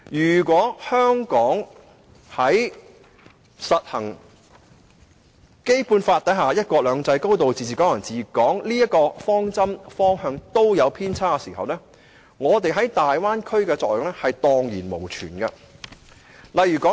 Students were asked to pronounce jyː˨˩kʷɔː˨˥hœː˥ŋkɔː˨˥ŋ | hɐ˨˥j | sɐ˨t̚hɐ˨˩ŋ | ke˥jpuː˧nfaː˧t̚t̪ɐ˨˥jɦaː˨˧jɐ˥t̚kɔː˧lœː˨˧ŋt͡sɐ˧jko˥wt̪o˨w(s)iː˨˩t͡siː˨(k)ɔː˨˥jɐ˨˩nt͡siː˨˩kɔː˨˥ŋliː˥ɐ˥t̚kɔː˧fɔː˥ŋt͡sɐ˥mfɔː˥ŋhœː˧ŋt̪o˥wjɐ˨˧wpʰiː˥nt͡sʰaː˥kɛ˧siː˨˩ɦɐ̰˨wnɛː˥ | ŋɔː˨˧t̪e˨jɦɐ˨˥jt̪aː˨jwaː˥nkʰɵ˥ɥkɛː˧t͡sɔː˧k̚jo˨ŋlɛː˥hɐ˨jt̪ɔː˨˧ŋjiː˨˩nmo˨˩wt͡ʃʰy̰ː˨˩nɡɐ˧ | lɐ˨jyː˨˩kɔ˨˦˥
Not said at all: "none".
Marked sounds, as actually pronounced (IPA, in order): t͡s, k

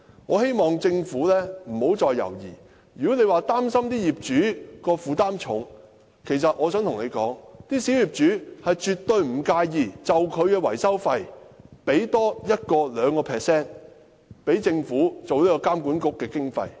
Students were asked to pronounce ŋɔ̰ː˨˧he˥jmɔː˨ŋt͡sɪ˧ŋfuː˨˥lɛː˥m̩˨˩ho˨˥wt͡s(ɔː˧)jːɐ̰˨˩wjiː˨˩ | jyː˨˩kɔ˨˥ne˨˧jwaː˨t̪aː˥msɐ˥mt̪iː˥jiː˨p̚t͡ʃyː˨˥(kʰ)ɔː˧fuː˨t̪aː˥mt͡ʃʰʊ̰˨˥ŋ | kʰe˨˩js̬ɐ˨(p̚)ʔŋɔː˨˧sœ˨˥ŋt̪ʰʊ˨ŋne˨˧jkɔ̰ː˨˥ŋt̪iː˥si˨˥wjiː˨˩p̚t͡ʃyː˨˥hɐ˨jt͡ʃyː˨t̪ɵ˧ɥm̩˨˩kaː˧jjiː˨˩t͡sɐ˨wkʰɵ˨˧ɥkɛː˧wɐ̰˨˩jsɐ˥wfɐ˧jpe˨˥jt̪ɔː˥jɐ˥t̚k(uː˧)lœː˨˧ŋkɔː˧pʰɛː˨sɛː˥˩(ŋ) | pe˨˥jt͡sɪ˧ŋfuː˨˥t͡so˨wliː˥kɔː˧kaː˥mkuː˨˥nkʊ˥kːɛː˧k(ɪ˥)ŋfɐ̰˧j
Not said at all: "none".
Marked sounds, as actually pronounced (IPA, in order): ɔː˧, k, t̚, ɔː˧, n, ɪ˥

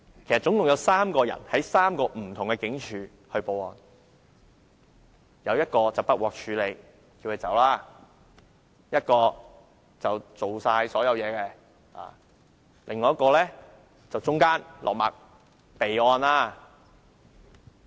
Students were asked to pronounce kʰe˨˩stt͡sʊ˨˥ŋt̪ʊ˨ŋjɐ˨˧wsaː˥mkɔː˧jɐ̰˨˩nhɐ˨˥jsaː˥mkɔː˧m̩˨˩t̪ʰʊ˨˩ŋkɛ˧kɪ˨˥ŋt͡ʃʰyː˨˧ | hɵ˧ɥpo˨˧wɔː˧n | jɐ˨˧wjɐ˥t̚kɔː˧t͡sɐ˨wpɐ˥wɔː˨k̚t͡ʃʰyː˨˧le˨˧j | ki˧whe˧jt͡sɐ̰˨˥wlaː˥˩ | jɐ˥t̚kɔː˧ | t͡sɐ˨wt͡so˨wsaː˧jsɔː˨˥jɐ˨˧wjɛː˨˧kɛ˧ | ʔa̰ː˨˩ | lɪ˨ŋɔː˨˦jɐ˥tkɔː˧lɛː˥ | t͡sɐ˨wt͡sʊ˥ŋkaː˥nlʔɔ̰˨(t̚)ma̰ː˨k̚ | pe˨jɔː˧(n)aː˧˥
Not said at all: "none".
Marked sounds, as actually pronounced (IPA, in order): k̚, n

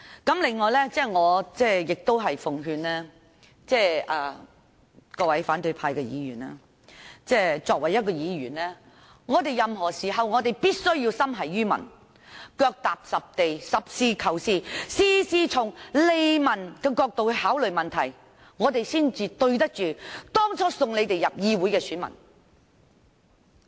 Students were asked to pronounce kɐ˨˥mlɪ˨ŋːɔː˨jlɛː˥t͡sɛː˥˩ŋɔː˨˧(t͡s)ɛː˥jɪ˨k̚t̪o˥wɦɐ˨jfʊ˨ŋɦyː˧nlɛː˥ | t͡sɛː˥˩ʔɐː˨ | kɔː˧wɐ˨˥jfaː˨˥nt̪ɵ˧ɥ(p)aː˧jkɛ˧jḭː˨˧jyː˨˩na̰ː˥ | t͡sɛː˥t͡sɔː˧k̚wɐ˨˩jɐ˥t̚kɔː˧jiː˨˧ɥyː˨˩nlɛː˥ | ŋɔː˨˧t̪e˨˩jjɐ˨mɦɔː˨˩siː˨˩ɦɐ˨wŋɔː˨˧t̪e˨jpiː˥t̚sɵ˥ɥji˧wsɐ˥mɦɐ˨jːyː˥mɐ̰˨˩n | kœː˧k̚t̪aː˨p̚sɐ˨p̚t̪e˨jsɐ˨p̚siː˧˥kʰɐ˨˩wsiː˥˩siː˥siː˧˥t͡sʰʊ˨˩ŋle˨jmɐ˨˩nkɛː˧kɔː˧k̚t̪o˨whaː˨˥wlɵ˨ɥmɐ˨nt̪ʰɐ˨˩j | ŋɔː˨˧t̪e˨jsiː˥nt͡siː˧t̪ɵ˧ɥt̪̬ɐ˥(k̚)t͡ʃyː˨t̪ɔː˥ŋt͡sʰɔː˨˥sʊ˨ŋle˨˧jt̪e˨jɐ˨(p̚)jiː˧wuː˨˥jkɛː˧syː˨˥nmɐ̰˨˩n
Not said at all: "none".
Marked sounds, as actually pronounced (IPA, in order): t͡s, pʰ, k̚, p̚

